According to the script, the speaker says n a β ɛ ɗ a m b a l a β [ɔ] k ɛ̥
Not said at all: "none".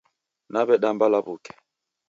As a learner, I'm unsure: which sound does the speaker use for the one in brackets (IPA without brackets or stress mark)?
u